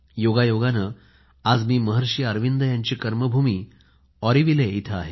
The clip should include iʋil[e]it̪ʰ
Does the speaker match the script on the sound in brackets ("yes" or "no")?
yes